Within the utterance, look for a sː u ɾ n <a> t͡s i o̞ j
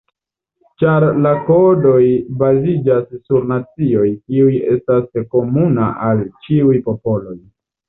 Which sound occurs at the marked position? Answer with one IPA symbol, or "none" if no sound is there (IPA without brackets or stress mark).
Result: a